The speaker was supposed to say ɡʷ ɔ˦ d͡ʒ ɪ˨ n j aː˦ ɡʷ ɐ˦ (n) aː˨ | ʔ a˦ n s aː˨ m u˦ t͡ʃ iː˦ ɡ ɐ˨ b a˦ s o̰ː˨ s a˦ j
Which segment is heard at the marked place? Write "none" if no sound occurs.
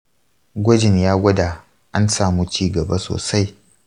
d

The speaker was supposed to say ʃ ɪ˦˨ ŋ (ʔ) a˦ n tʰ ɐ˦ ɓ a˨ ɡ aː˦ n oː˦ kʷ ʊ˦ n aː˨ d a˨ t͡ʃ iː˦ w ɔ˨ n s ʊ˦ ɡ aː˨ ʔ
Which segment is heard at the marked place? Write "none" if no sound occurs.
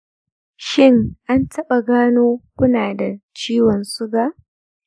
ʔ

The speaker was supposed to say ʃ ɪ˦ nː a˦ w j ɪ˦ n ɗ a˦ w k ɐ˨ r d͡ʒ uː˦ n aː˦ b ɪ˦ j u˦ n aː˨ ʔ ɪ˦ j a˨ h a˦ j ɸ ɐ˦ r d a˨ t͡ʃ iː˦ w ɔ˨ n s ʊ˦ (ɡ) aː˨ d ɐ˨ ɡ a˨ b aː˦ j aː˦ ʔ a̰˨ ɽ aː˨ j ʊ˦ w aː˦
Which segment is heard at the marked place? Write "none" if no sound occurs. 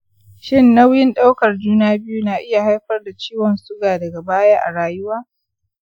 ɡ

